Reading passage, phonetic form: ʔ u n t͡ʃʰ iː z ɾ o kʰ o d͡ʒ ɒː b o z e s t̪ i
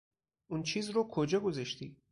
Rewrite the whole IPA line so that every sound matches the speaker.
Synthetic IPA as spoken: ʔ u n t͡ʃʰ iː z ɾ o kʰ o d͡ʒ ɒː ɡ o z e ʃ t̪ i